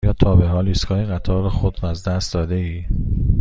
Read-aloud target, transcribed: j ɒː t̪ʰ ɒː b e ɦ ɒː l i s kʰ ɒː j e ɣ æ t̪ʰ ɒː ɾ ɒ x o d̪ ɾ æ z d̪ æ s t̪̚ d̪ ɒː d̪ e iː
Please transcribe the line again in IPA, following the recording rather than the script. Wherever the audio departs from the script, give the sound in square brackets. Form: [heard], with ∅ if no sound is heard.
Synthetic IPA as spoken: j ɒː t̪ʰ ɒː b e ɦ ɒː l i s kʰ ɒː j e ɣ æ t̪ʰ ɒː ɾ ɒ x o d̪ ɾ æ z d̪ æ s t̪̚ d̪ ɒː d̪ e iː